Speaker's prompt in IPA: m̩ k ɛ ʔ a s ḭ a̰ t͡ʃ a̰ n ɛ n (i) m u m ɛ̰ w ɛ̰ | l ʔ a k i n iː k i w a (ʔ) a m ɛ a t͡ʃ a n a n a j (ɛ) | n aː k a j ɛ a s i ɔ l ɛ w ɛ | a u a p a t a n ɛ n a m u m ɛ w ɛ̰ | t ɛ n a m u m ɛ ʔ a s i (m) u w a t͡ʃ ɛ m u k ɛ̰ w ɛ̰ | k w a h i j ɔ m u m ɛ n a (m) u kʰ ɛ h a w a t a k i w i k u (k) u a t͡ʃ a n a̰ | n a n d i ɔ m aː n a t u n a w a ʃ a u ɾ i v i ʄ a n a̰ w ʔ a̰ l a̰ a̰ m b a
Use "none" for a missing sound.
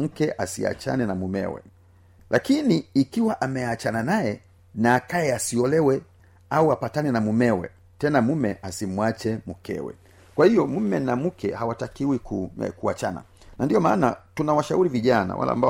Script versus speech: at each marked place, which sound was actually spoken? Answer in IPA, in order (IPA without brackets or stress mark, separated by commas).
a, ʔ, ɛ, m, m, k